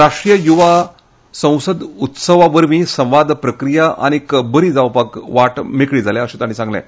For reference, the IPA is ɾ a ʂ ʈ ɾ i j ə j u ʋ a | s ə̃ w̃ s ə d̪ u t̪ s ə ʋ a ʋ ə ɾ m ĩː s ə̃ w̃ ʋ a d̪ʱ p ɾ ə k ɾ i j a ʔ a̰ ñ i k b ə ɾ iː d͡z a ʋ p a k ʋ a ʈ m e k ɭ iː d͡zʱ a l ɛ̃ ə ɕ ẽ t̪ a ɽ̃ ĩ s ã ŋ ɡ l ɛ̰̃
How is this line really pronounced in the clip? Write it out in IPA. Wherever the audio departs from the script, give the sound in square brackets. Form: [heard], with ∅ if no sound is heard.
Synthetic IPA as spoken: ɾ a ʂ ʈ ɾ i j ə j u ʋ a | s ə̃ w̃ s ə d̪ u t̪ s ə ʋ a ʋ ə ɾ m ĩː s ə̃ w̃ ʋ a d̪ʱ p ɾ ə k ɾ i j a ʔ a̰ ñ i k b ə ɾ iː d͡z a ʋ p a k ʋ a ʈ m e k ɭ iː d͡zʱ a l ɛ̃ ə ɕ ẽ t̪ a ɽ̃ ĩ s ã ŋ ɡ l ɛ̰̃